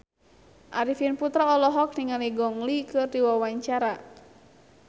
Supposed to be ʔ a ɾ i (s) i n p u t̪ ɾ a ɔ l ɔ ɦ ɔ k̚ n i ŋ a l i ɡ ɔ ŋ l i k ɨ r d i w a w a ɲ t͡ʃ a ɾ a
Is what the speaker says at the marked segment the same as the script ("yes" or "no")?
no